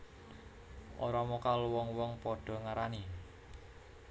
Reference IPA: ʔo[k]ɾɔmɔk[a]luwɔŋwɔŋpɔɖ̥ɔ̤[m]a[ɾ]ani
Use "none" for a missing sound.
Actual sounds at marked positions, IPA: none, a, ŋ, ɾ

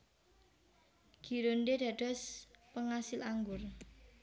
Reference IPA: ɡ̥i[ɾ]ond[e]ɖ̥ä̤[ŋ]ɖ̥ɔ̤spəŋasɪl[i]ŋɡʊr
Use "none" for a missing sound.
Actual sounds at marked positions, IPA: ɾ, e, none, a

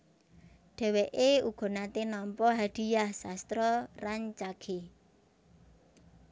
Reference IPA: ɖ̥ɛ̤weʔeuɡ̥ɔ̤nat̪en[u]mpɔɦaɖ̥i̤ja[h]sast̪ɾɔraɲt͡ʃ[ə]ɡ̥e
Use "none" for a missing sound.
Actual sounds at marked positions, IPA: ɔ, h, a

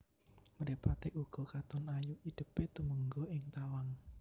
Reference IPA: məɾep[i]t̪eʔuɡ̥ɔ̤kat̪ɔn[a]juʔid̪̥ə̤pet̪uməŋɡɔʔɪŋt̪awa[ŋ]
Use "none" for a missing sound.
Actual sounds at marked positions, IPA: a, a, ŋ

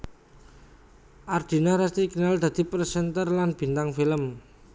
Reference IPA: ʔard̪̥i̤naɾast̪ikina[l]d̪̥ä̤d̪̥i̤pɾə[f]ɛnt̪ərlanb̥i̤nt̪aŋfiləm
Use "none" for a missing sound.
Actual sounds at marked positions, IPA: l, s

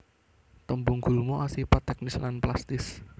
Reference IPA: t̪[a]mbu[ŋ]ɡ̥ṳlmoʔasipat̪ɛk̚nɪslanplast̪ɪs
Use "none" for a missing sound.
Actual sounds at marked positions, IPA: ə, ŋ

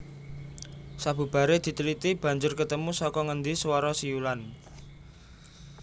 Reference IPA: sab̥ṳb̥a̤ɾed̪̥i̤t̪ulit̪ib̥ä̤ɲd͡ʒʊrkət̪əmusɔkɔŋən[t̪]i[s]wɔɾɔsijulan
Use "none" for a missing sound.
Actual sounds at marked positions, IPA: d̪, s

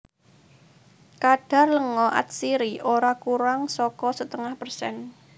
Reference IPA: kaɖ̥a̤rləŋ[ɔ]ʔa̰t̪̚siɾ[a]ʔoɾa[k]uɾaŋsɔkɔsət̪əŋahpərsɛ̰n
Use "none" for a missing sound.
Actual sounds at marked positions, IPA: ɔ, i, k

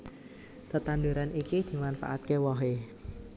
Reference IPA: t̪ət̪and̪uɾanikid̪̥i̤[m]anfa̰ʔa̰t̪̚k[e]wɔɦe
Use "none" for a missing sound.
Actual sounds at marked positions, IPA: m, e

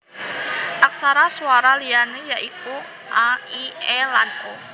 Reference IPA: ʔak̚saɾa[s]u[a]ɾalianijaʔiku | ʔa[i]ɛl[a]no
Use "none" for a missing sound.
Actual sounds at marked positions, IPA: s, a, i, a

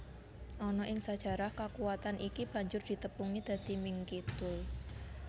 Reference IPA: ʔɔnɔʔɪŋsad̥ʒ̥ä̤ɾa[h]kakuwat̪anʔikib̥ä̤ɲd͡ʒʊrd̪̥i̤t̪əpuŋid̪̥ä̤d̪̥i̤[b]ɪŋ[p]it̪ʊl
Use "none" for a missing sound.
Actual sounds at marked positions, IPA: h, m, k

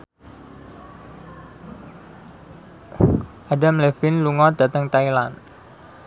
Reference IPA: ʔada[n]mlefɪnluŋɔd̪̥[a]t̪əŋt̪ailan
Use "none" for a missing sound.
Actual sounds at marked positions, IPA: none, a

